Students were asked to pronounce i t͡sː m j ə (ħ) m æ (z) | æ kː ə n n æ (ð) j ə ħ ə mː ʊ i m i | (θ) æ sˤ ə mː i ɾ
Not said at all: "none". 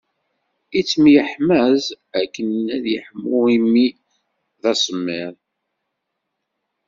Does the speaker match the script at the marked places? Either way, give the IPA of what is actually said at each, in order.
ħ, z, ð, ð

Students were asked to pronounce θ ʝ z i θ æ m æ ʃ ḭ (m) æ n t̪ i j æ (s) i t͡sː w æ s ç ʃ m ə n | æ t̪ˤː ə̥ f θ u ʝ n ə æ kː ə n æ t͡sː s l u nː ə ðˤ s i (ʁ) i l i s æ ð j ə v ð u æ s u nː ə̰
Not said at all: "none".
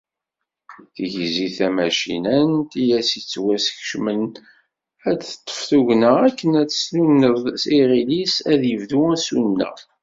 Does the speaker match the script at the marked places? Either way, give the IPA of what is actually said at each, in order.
n, s, ʁ

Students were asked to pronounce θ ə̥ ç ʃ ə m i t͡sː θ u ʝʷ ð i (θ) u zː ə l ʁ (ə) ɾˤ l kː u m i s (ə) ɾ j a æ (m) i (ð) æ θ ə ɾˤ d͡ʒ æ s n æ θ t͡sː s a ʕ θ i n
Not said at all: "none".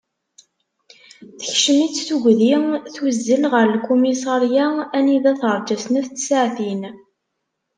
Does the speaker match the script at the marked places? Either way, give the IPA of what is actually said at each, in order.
θ, ə, ɑ, n, ð

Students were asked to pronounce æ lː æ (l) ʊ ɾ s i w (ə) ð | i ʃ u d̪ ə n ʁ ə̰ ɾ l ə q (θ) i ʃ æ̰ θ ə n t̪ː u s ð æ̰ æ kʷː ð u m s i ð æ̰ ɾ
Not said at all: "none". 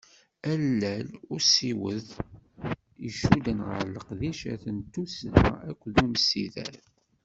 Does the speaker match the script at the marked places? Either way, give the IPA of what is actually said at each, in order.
l, ə, ð

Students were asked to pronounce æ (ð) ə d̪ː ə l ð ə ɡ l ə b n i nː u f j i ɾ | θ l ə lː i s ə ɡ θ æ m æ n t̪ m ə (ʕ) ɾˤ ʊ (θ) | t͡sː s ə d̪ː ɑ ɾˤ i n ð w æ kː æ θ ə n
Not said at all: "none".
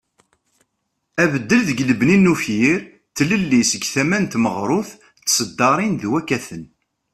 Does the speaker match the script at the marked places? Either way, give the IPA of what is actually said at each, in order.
v, ʁ, θ

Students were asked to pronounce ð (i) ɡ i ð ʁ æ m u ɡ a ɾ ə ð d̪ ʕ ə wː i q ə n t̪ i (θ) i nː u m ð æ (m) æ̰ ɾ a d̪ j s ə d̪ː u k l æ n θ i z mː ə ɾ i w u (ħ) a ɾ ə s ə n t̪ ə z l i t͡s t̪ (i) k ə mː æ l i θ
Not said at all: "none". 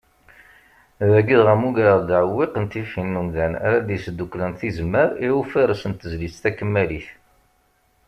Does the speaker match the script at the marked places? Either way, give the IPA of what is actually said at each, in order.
æ, f, n, f, æ

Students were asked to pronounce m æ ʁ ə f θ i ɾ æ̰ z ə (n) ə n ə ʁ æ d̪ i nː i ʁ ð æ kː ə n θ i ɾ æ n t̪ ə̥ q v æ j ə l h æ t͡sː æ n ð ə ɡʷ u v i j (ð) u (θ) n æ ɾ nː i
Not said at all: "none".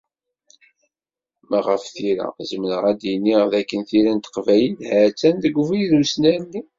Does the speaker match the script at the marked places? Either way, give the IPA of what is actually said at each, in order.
m, ð, s

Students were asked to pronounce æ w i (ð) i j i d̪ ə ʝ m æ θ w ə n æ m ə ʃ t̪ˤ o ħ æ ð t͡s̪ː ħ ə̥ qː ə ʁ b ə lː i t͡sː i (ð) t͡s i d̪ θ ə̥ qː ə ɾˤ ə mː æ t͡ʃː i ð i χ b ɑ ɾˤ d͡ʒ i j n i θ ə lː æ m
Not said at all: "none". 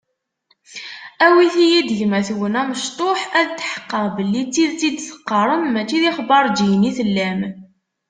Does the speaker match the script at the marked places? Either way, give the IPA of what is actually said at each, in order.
θ, ð

